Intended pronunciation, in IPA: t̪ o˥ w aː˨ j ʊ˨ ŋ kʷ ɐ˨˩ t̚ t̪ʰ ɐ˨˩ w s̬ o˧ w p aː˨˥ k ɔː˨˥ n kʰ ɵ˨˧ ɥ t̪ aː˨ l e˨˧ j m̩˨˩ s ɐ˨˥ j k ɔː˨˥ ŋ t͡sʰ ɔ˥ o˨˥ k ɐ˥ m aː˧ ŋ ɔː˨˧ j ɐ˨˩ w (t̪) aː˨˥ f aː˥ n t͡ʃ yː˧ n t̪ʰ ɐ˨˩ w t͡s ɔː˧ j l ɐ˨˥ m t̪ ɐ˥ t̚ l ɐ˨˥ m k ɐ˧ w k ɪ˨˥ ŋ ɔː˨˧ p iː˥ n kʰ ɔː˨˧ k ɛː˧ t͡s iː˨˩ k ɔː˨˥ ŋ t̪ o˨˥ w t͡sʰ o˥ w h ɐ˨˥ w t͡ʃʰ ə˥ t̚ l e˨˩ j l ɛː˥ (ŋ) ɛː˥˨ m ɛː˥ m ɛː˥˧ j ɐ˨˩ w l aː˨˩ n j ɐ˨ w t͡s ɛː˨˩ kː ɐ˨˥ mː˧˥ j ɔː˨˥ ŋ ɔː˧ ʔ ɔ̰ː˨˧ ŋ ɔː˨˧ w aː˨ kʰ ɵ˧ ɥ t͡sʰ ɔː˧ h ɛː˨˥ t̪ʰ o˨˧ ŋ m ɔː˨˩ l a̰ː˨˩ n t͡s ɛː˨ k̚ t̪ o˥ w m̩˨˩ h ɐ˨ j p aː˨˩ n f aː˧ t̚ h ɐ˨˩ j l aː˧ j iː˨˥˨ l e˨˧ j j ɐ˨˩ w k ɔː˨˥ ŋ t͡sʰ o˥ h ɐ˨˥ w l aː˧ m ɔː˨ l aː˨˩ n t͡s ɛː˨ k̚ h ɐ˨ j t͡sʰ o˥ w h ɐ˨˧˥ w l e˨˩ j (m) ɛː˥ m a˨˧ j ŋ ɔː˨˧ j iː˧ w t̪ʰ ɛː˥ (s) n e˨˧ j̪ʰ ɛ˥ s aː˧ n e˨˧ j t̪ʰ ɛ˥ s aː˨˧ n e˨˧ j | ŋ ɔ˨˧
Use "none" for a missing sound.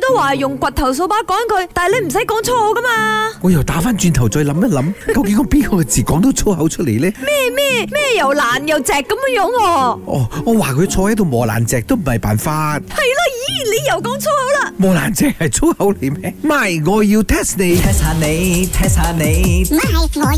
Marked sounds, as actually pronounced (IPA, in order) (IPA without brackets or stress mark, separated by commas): t̪, m, m, s